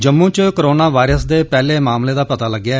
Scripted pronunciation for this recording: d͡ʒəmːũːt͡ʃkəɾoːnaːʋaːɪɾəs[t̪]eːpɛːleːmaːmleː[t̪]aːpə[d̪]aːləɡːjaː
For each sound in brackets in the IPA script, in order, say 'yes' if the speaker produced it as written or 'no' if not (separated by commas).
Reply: no, no, no